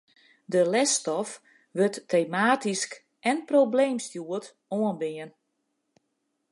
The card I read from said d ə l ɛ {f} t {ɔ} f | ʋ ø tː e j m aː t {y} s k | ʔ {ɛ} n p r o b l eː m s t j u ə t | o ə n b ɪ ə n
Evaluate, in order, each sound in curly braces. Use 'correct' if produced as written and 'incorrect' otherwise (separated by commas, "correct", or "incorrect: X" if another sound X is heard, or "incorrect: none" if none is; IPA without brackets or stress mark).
incorrect: s, correct, incorrect: i, correct